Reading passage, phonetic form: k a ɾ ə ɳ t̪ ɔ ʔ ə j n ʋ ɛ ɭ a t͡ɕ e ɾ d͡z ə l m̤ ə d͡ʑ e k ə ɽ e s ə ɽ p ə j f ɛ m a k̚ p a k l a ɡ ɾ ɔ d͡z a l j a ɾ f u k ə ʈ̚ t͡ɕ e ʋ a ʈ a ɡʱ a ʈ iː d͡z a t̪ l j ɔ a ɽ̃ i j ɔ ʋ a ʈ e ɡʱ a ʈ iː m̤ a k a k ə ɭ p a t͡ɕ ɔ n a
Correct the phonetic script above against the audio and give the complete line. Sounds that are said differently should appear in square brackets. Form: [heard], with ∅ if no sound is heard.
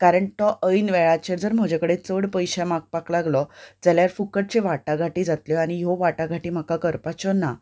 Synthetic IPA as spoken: k a ɾ ə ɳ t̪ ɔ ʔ ə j n ʋ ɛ ɭ a t͡ɕ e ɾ d͡z ə [ɾ] m̤ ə d͡ʑ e k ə ɽ e [t͡s] ə ɽ p ə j [ɕ] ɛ m a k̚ p a k l a ɡ [l] ɔ d͡z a l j a ɾ f u k ə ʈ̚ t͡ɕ e ʋ a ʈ a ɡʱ a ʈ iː d͡z a t̪ l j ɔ a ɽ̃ i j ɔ ʋ a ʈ [a] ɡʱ a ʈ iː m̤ a k a k ə [ɾ] p a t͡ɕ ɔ n a